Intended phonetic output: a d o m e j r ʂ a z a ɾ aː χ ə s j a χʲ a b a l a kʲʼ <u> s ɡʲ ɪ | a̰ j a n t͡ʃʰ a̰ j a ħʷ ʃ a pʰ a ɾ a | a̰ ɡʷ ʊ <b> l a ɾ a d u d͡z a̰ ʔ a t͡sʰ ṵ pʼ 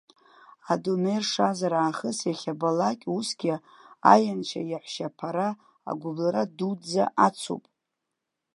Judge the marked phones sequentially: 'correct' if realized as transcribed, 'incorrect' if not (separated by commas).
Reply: correct, correct